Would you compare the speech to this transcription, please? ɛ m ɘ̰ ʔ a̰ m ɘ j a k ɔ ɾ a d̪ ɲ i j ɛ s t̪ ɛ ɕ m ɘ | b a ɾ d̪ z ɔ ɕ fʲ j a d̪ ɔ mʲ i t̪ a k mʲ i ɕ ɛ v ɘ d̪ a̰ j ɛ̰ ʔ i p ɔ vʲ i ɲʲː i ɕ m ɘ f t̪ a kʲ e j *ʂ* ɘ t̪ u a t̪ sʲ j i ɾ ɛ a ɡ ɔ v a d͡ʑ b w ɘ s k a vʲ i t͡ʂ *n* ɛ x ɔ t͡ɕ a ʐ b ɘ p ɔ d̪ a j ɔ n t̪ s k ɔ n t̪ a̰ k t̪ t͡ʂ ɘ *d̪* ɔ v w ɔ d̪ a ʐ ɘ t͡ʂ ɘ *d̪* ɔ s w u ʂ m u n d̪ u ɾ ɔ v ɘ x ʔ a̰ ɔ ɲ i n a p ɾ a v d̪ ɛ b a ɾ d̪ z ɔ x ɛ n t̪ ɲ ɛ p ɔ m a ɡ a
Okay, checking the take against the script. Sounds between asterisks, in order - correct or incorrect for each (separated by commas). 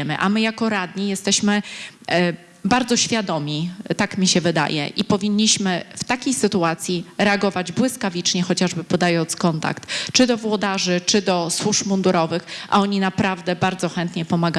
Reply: incorrect, incorrect, correct, correct